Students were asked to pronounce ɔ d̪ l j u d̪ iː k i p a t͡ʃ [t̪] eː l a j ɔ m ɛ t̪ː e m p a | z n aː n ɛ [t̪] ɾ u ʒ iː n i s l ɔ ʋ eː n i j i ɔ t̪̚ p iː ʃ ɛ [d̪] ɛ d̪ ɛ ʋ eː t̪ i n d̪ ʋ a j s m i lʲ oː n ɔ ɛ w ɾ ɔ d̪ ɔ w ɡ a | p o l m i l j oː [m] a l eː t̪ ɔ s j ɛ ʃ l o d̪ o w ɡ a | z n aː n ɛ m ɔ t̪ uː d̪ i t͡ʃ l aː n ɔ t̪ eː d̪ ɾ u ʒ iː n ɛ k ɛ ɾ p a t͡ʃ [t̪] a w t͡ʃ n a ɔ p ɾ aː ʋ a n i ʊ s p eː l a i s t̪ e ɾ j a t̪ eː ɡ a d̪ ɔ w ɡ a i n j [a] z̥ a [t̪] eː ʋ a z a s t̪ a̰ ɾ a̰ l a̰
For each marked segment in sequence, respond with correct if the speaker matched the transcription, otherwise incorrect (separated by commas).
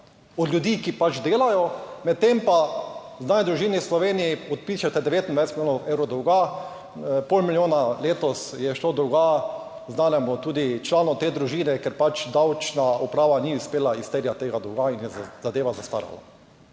incorrect, incorrect, incorrect, incorrect, incorrect, incorrect, incorrect